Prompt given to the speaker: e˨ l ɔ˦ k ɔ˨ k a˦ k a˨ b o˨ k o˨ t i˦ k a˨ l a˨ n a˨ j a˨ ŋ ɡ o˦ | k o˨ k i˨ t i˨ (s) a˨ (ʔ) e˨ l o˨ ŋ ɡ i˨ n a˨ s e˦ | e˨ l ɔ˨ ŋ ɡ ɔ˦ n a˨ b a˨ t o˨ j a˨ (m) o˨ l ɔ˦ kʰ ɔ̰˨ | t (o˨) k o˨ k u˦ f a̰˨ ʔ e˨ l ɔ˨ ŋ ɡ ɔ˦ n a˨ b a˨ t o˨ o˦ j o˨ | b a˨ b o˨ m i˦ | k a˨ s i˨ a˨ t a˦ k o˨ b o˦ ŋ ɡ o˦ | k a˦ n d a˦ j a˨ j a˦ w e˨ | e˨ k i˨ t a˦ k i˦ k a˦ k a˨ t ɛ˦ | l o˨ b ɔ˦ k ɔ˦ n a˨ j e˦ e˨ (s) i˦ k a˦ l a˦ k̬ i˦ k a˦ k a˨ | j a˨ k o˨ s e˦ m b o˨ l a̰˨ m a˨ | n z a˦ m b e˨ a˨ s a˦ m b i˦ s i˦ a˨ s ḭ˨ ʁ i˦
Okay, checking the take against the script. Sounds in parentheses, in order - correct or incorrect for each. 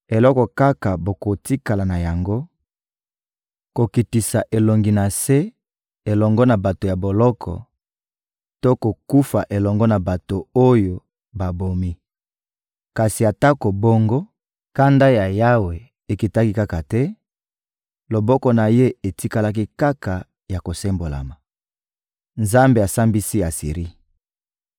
correct, correct, incorrect: b, incorrect: o˦, incorrect: t

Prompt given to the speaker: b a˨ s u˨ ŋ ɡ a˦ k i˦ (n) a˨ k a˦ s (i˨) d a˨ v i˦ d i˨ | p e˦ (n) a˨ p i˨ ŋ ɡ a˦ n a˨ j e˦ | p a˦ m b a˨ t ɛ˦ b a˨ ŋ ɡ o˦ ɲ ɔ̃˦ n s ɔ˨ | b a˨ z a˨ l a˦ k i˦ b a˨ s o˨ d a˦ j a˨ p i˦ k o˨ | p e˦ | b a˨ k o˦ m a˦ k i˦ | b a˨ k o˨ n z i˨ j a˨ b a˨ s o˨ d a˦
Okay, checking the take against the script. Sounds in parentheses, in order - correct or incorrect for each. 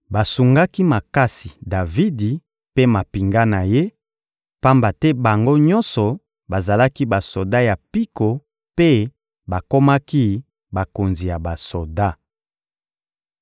incorrect: m, correct, incorrect: m

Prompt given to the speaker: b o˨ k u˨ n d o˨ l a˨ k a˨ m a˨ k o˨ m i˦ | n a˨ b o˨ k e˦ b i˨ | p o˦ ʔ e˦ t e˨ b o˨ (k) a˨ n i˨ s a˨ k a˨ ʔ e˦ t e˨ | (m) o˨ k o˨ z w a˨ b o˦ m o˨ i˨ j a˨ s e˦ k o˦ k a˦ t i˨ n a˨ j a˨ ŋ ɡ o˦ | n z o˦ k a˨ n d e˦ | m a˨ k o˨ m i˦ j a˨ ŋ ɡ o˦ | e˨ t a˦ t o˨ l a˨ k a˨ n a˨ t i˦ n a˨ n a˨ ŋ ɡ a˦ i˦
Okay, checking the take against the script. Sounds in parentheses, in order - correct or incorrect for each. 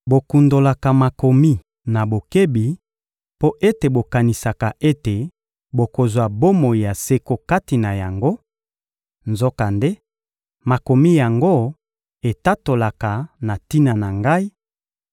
correct, incorrect: b

